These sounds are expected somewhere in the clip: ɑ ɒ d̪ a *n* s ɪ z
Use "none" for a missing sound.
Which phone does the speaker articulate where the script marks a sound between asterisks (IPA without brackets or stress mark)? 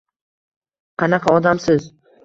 m